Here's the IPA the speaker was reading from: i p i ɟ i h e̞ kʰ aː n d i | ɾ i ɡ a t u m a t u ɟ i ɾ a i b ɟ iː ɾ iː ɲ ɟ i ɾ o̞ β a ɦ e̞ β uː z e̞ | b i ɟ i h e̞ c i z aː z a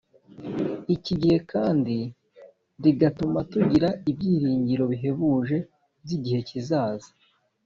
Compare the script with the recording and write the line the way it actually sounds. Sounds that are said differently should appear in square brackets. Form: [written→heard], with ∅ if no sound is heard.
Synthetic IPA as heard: i [p→c] i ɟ i h e̞ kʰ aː n d i | ɾ i ɡ a t u m a t u ɟ i ɾ a i b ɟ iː ɾ iː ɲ ɟ i ɾ o̞ β [a→i] ɦ e̞ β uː [z→ʒ] e̞ | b i ɟ i h e̞ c i z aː z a